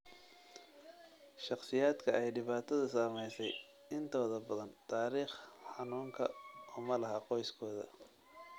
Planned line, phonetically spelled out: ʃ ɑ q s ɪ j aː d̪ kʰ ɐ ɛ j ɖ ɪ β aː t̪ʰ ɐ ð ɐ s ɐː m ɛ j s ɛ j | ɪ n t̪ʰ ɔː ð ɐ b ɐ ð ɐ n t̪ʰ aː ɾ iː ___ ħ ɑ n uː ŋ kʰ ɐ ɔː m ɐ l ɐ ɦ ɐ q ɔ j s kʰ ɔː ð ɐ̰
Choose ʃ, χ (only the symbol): χ